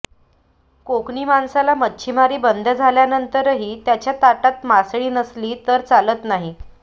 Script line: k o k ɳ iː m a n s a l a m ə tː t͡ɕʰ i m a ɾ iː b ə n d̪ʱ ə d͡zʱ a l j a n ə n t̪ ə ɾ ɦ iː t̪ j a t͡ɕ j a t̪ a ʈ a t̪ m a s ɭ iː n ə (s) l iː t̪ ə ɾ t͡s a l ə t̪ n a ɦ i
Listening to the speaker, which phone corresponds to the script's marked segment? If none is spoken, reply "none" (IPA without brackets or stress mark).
s